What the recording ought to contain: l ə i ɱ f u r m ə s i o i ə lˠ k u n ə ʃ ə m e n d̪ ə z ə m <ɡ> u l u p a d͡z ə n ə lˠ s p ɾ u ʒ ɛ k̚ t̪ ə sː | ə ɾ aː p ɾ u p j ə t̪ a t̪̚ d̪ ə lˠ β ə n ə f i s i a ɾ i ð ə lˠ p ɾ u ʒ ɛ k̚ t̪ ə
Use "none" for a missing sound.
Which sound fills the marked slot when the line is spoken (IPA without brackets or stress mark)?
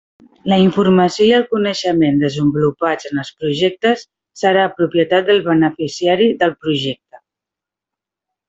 b